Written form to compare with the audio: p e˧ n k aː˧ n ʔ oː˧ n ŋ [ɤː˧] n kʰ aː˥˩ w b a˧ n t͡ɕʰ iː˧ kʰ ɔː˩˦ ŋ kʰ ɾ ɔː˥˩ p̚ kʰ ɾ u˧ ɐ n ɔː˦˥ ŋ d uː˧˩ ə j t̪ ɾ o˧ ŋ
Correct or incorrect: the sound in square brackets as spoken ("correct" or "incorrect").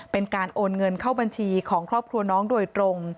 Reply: incorrect